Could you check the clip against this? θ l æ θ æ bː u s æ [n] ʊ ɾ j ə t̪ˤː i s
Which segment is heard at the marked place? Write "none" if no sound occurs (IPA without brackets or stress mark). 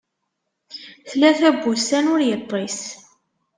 n